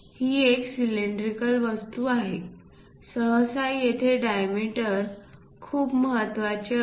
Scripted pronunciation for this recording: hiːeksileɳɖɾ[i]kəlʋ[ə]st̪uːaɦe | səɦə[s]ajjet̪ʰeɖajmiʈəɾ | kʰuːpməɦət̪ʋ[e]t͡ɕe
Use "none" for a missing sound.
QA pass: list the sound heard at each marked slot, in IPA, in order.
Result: i, ə, s, a

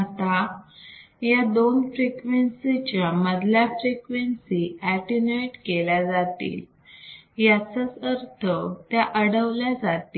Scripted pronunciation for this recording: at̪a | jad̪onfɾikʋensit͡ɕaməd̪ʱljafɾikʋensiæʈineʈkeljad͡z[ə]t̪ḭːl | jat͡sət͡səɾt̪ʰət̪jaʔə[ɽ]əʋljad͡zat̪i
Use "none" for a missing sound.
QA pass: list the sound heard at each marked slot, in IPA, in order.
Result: a, ɽ

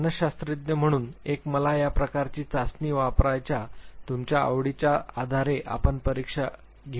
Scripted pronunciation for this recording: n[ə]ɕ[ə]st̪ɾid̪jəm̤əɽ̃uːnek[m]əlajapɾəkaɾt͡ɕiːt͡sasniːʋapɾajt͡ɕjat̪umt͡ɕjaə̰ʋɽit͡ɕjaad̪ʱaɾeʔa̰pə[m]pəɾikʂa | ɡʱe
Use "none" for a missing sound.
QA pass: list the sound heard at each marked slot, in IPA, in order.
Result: ə, a, m, ɳ

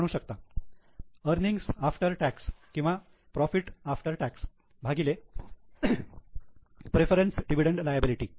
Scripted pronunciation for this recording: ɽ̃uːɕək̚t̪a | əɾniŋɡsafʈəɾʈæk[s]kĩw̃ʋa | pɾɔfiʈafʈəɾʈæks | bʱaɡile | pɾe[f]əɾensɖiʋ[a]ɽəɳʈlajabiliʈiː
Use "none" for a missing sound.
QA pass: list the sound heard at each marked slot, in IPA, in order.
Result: s, f, i

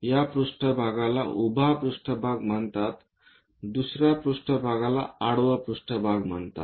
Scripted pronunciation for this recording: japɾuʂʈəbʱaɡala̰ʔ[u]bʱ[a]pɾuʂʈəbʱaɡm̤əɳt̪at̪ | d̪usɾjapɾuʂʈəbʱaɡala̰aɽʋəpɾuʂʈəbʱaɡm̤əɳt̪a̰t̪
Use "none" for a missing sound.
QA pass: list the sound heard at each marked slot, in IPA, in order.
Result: u, a

